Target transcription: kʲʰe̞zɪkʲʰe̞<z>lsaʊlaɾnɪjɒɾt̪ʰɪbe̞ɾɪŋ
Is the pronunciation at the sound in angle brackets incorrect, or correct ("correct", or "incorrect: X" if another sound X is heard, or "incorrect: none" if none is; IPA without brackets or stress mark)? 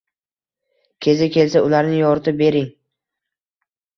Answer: incorrect: none